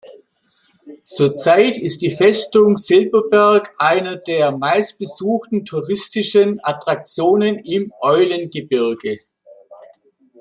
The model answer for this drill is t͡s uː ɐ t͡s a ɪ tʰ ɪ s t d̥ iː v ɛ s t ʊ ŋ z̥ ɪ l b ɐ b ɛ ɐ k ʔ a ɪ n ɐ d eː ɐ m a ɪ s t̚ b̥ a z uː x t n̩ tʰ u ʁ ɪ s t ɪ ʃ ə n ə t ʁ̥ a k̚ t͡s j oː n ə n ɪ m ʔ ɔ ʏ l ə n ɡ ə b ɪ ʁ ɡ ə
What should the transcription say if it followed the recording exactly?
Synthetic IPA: t͡s uː ɐ t͡s a ɪ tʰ ɪ s t d̥ iː f ɛ s t ʊ ŋ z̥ ɪ l b ɐ b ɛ ɐ k ʔ a ɪ n ɐ d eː ɐ m a ɪ s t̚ b̥ ə z uː x t n̩ tʰ u ʁ ɪ s t ɪ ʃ ə n a t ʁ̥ a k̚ t͡s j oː n ə n ɪ m ʔ ɔ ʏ l ə n ɡ ə b ɪ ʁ ɡ ə